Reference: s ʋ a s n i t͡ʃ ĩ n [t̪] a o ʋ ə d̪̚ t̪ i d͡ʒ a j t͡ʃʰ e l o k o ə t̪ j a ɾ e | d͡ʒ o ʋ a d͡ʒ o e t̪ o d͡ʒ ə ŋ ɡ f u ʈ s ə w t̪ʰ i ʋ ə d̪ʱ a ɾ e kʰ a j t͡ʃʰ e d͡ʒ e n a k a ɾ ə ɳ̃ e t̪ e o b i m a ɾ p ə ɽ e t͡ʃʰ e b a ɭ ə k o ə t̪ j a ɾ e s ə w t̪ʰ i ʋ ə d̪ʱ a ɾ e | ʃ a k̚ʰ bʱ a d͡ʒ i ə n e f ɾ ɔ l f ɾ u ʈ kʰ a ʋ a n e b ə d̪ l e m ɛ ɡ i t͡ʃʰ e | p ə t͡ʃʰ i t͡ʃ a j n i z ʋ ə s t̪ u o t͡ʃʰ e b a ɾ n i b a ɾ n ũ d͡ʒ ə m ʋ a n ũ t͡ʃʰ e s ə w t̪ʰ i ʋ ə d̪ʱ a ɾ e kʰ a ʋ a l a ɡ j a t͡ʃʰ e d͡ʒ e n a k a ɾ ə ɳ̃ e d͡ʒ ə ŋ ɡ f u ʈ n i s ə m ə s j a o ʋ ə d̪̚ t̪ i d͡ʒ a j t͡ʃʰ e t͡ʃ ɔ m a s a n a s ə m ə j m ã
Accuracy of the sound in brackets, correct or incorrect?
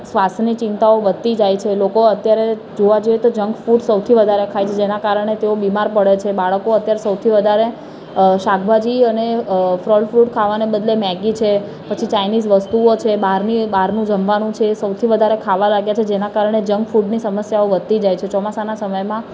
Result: correct